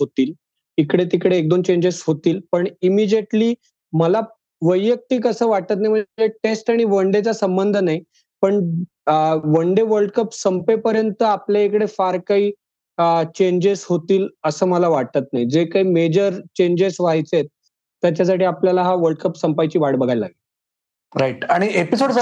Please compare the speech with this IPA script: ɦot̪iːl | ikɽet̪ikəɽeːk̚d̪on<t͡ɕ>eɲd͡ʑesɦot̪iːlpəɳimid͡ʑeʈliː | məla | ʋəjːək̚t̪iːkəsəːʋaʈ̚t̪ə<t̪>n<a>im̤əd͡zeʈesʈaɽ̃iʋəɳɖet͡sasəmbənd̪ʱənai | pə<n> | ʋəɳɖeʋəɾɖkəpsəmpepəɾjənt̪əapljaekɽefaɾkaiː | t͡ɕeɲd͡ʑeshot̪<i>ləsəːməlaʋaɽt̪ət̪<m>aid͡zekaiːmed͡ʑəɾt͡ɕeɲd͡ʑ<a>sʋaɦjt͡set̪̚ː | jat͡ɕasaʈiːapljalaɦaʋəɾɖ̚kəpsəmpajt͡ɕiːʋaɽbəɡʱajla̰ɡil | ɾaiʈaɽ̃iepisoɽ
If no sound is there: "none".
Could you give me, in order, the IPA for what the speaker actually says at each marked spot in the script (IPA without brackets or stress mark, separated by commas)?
t͡ɕ, t̪, a, ɳ, iː, n, e